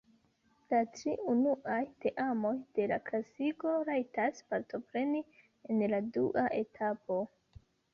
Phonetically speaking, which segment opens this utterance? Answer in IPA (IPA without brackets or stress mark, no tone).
l